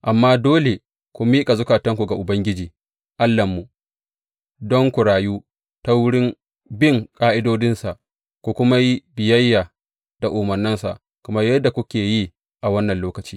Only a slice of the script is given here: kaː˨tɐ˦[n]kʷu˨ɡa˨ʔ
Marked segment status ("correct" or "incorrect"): incorrect